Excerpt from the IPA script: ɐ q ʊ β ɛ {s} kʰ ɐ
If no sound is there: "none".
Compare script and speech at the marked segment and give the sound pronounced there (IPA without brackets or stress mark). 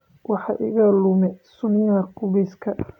s